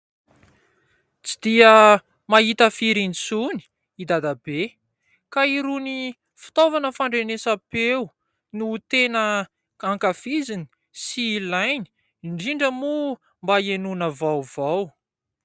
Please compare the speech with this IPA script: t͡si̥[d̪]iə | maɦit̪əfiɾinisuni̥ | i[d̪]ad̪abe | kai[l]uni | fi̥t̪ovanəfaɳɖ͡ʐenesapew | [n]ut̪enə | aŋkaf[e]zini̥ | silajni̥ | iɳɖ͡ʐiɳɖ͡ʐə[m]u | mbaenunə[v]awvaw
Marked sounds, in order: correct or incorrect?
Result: correct, correct, incorrect, correct, incorrect, correct, correct

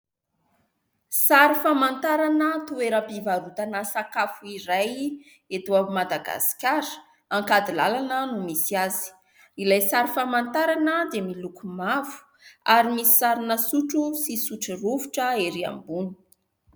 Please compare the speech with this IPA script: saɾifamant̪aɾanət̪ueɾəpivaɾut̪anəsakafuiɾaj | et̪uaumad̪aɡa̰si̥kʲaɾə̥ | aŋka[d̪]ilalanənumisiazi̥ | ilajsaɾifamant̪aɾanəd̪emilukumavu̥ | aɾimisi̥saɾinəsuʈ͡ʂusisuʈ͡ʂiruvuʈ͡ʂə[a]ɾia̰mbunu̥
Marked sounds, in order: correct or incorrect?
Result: correct, incorrect

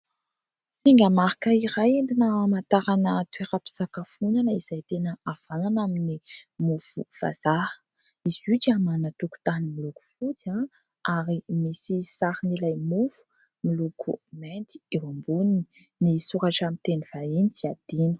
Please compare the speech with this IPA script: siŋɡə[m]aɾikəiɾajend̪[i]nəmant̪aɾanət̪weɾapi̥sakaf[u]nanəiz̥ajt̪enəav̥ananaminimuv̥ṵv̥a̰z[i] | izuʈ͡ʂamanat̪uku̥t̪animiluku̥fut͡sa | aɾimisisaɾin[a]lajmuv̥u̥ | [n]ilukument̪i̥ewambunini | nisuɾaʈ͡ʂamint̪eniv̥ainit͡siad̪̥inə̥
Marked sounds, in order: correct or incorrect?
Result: correct, correct, correct, incorrect, incorrect, incorrect

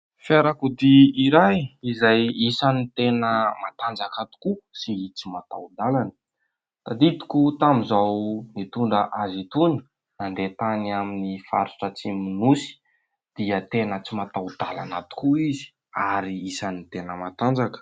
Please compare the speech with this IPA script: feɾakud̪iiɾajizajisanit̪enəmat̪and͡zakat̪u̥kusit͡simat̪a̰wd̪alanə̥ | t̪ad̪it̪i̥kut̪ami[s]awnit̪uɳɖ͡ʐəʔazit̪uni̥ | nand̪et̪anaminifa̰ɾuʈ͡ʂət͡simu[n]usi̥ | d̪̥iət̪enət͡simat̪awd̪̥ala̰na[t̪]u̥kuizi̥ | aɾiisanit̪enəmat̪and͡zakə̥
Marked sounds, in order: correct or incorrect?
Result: incorrect, correct, correct

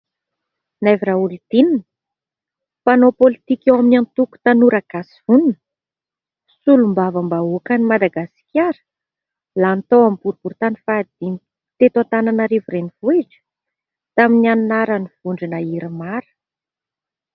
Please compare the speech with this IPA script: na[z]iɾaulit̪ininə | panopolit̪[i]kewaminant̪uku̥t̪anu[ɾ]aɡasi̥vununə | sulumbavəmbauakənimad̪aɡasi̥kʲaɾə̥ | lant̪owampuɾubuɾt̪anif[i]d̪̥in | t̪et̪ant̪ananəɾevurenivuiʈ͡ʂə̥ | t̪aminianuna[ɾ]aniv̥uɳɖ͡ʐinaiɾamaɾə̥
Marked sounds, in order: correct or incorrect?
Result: incorrect, correct, correct, incorrect, correct

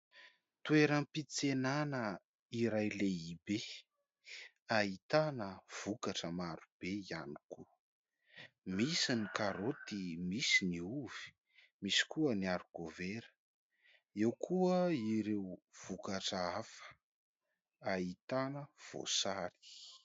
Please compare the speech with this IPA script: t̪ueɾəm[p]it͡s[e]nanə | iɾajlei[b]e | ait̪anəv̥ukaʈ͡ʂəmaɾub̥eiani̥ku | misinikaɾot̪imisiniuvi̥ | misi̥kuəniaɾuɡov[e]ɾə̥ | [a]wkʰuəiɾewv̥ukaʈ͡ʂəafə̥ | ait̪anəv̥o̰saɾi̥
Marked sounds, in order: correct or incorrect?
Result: correct, correct, correct, correct, incorrect

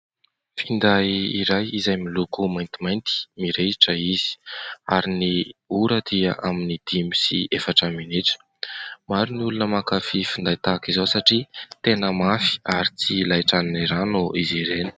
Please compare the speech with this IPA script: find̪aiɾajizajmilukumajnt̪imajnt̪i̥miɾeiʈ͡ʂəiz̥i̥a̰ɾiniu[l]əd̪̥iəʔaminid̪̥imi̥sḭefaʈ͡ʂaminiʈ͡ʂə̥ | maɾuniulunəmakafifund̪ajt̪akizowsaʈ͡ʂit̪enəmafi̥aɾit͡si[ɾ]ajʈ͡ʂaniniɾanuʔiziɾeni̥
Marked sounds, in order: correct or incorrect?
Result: incorrect, incorrect

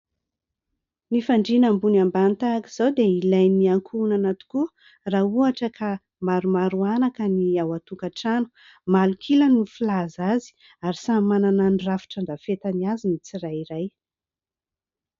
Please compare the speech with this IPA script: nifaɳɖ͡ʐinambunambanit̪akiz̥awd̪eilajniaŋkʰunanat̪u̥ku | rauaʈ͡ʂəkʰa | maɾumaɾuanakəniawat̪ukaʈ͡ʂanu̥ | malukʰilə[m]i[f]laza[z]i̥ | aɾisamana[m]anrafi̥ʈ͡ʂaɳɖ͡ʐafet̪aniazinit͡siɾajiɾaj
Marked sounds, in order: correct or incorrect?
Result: incorrect, correct, correct, incorrect

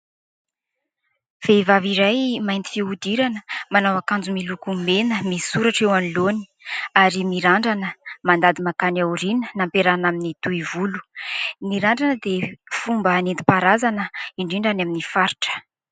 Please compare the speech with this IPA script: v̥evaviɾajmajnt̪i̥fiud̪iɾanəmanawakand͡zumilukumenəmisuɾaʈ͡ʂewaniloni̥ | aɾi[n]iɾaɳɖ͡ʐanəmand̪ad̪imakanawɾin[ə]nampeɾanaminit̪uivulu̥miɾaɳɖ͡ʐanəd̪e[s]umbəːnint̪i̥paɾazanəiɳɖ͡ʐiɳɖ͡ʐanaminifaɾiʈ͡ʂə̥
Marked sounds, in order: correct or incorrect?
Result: incorrect, correct, incorrect

